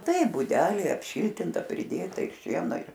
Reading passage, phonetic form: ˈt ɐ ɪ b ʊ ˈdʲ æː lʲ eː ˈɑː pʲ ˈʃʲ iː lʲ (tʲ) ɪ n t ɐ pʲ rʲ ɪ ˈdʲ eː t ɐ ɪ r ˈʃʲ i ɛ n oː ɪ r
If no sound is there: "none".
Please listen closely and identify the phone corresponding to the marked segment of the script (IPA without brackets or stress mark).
tʲ